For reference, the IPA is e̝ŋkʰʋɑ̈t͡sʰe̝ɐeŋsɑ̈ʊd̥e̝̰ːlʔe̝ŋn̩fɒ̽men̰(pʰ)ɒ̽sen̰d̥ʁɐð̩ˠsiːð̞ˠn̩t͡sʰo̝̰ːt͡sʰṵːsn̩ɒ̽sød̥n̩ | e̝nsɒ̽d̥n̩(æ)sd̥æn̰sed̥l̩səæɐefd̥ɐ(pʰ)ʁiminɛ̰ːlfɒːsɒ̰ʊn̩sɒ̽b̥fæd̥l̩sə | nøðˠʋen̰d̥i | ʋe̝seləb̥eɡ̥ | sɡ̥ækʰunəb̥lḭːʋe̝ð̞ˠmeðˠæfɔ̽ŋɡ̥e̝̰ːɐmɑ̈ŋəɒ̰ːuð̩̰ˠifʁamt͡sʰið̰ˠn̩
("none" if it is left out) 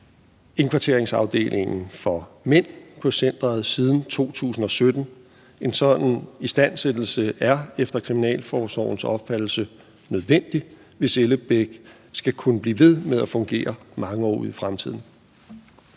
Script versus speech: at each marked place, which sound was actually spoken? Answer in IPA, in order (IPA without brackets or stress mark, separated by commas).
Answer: pʰ, i, kʰ